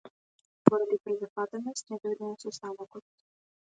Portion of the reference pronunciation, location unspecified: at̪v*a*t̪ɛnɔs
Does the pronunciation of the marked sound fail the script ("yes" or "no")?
no